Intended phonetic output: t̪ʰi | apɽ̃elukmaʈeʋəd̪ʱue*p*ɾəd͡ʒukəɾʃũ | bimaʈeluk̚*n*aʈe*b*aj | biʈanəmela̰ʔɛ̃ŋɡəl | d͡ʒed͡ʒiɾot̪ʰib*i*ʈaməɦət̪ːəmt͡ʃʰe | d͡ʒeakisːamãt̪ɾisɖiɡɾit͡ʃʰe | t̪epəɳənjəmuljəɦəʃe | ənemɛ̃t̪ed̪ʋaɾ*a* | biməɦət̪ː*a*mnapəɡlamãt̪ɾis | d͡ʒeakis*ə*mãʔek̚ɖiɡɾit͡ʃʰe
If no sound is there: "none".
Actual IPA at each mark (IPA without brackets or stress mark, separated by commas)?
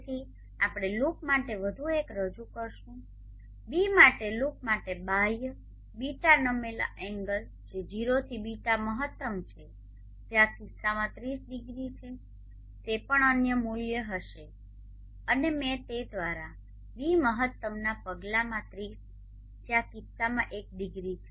k, m, b, i, a, ə, a